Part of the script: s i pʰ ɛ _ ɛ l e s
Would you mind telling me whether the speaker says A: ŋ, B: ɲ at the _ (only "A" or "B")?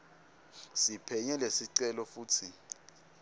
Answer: B